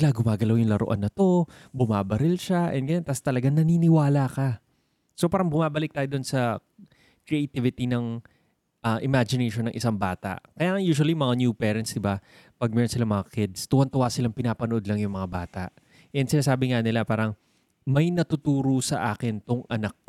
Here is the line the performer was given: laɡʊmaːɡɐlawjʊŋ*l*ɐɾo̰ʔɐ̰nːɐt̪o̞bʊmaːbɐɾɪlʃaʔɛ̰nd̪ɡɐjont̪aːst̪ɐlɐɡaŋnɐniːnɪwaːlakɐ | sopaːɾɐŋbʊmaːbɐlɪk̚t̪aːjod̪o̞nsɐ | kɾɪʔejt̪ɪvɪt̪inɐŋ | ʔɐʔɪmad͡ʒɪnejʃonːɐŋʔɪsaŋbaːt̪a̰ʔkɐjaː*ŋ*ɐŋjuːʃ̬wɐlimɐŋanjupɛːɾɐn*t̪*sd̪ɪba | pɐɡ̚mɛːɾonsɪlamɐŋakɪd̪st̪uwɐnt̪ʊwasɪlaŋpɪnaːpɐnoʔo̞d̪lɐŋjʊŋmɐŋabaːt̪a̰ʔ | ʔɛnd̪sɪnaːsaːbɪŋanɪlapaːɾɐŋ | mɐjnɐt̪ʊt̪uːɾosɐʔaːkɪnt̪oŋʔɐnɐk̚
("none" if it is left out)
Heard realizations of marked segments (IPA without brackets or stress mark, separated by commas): l, ŋ, t̪